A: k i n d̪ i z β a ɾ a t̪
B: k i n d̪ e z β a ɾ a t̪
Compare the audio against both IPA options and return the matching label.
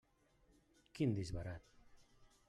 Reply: A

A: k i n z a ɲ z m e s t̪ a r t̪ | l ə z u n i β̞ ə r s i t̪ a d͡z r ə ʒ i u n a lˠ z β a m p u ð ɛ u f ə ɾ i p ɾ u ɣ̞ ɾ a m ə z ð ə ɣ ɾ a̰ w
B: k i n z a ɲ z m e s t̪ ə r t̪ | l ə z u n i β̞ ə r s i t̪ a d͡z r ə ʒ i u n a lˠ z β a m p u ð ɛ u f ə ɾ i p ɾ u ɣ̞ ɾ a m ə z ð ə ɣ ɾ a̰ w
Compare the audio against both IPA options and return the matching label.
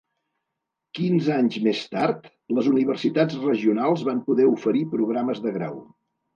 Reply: A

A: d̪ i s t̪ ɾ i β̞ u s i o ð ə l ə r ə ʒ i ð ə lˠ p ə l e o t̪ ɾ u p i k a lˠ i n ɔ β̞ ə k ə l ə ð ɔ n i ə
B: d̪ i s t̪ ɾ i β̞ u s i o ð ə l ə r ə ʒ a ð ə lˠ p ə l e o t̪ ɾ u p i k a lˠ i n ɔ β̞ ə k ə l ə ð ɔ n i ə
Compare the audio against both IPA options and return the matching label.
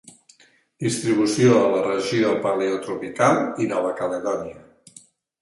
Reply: A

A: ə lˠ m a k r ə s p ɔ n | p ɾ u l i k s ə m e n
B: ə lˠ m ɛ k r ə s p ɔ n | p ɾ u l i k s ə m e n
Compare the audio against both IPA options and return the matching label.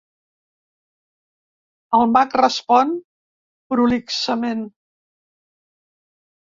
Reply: A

